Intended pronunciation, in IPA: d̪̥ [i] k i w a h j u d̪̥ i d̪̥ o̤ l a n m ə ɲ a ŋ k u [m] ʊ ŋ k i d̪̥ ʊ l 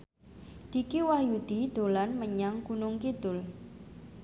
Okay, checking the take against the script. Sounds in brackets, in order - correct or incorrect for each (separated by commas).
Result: correct, incorrect